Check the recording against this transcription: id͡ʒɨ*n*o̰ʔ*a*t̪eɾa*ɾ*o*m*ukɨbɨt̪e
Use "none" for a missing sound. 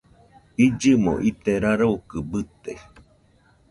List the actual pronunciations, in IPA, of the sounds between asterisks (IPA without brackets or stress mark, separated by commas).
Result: m, i, ɾ, none